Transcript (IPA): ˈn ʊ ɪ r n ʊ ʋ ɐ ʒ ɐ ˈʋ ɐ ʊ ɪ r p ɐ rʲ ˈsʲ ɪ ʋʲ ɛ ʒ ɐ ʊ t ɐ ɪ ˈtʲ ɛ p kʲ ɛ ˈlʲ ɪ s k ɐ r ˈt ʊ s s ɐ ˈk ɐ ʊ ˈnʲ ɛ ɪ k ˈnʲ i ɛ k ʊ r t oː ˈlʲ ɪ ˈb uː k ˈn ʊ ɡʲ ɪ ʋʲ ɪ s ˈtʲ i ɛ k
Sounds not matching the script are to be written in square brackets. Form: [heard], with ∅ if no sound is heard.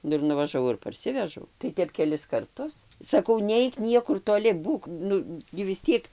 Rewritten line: ˈn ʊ ɪ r n ʊ ʋ ɐ ʒ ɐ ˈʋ ɐ ʊ ɪ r p ɐ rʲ ˈsʲ ɪ ʋʲ ɛ ʒ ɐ ʊ t ɐ ɪ ˈtʲ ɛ p kʲ ɛ ˈlʲ ɪ s k ɐ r ˈt ʊ s s ɐ ˈk ɐ ʊ ˈnʲ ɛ ɪ k ˈnʲ i ɛ k ʊ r t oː ˈlʲ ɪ ˈb uː k ˈn ʊ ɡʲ ɪ ʋʲ ɪ s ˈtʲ i ɛ k